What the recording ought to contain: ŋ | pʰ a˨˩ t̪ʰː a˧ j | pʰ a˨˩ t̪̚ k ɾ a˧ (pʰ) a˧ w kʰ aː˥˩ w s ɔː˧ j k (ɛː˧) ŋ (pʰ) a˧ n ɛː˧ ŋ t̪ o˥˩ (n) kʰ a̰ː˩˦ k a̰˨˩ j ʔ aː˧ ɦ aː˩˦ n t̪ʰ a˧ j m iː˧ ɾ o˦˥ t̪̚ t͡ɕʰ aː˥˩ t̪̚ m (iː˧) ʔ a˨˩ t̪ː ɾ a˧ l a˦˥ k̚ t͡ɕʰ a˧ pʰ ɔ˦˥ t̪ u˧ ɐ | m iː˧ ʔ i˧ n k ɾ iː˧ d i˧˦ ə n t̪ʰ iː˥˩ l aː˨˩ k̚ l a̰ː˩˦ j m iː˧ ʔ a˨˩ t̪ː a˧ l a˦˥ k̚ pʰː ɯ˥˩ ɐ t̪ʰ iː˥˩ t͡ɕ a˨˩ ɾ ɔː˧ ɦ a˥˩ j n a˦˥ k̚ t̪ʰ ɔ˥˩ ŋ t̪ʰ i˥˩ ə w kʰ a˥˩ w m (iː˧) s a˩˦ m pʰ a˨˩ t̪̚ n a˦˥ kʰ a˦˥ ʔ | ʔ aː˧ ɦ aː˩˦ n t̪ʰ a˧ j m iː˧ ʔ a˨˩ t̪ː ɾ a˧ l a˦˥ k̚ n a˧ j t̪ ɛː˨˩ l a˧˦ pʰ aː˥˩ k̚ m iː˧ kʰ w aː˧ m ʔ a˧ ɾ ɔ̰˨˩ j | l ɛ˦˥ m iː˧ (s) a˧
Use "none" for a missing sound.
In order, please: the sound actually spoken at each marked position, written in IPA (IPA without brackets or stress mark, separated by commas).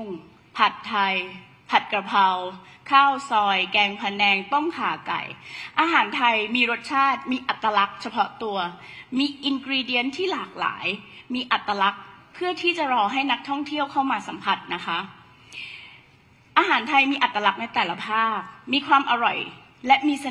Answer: pʰ, ɛː˧, pʰ, ŋ, iː˧, aː˧, s